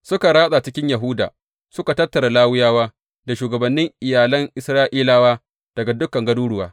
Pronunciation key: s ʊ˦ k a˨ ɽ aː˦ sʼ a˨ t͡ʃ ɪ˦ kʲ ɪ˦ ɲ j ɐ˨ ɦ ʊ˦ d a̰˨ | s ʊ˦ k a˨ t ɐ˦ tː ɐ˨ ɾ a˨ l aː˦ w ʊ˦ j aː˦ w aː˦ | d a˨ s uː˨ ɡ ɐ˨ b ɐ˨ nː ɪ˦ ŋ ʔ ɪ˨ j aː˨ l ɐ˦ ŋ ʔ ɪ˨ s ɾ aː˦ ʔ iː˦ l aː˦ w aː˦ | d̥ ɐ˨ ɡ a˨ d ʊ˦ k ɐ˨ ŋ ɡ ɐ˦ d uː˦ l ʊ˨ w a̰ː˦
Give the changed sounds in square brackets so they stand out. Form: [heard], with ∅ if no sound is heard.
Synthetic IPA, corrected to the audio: s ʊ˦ k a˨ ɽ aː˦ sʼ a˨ t͡ʃ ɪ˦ kʲ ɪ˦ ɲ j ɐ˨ ɦ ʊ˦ d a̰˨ | s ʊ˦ k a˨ t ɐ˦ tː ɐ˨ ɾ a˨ l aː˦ w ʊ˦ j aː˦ w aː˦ | d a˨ [ʃ] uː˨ ɡ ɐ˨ b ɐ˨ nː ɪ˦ ŋ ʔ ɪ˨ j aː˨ l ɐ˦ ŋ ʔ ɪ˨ s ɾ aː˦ ʔ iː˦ l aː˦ w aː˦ | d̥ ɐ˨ ɡ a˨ d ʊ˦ k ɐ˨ ŋ ɡ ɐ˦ d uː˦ [ɽ] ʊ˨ w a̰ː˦